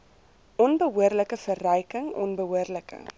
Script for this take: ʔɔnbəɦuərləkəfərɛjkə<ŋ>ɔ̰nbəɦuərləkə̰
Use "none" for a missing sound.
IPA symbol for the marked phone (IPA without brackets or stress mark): ŋ